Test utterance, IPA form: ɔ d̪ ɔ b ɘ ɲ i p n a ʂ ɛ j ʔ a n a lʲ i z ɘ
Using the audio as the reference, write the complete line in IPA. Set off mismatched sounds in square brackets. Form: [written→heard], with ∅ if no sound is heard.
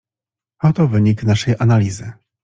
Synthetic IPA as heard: ɔ [d̪→t̪] ɔ [b→v] ɘ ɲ i [p→k] n a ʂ ɛ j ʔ a n a lʲ i z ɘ